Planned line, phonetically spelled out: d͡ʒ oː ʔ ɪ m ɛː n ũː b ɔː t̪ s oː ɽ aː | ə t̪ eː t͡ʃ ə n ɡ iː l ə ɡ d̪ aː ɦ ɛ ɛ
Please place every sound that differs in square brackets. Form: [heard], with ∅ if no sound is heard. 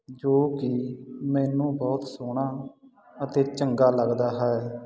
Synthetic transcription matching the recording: d͡ʒ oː [k] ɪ m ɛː n ũː b ɔː t̪ s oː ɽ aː | ə t̪ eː t͡ʃ ə [ŋ] ɡ [aː] l ə ɡ d̪ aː ɦ ɛ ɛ